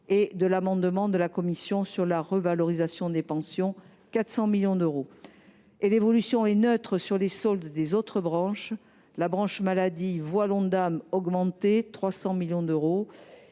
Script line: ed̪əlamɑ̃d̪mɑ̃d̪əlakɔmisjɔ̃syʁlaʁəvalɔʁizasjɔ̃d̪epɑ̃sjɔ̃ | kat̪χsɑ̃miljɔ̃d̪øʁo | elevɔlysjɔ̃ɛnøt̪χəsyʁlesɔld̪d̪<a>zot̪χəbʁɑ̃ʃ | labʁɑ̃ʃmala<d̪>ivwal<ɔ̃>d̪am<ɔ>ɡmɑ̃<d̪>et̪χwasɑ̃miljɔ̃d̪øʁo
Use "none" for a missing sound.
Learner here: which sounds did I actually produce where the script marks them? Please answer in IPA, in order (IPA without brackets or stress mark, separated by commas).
e, d̪, ɔ̃, ɔ, t̪